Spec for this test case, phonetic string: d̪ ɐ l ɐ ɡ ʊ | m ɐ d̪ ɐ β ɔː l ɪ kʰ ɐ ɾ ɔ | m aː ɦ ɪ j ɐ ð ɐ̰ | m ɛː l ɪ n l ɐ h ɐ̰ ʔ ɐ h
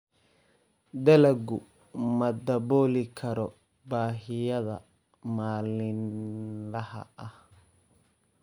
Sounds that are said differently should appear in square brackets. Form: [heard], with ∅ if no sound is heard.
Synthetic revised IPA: d̪ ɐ l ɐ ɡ ʊ | m ɐ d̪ ɐ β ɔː l ɪ kʰ ɐ ɾ ɔ | [b] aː ɦ ɪ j ɐ ð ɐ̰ | m [aː] l ɪ n l ɐ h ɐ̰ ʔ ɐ h